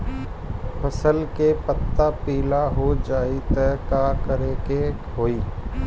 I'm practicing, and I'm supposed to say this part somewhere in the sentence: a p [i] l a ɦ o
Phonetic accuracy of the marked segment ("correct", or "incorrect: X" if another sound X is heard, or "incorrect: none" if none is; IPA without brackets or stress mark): incorrect: iː